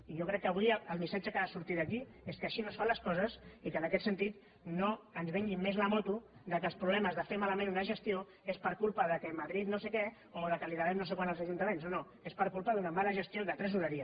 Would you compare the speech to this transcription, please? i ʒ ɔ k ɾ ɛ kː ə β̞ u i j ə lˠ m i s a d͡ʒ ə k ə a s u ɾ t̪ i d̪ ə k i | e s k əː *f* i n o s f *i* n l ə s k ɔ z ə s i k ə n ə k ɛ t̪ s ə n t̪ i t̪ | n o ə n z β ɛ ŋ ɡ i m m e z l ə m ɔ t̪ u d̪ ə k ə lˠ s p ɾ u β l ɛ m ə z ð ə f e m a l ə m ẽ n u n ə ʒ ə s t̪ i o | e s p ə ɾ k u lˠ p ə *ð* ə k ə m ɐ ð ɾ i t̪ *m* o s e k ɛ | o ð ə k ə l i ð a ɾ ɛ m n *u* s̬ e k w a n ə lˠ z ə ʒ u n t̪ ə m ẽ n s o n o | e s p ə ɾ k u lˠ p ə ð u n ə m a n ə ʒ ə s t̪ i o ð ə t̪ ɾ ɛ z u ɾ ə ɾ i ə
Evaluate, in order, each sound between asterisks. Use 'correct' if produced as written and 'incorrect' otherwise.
incorrect: ʃ, incorrect: a, correct, incorrect: n, incorrect: o

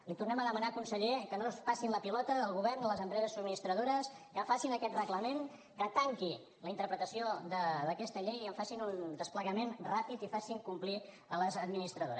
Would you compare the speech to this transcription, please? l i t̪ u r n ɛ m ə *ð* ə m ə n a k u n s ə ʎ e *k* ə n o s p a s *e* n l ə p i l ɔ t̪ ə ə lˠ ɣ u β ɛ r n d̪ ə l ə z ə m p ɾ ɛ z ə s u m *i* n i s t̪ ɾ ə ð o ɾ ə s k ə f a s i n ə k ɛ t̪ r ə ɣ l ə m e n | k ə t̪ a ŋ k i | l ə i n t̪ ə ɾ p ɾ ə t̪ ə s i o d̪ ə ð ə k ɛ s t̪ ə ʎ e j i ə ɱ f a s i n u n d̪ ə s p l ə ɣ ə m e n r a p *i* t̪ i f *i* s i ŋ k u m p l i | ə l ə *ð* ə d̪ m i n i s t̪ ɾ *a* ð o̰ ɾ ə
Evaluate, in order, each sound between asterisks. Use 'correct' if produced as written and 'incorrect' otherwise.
correct, correct, incorrect: i, correct, correct, incorrect: a, incorrect: z, incorrect: ə

